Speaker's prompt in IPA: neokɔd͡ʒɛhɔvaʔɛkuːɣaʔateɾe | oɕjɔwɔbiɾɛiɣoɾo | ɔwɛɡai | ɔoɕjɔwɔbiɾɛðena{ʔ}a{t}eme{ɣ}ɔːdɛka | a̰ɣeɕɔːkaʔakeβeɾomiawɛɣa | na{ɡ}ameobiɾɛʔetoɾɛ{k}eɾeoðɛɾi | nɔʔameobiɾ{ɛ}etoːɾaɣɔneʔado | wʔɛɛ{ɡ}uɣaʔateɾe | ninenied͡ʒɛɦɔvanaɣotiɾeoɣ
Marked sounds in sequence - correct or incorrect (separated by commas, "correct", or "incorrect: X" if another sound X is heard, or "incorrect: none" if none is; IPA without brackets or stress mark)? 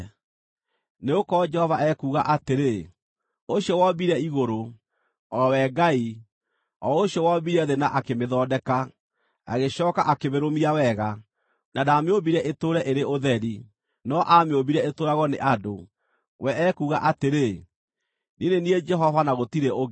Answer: correct, incorrect: k, incorrect: ð, incorrect: d, incorrect: ʔ, correct, incorrect: k